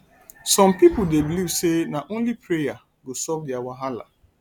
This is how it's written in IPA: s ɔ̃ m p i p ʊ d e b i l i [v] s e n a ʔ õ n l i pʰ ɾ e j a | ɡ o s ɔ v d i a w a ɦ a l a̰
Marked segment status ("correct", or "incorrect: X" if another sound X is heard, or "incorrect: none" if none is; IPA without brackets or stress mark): correct